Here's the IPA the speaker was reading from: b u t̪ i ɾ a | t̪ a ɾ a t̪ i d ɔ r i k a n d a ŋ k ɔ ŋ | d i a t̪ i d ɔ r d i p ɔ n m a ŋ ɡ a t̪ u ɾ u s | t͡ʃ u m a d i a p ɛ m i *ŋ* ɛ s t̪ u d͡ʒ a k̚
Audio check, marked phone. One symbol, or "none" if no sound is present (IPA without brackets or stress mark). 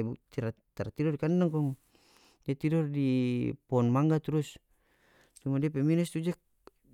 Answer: n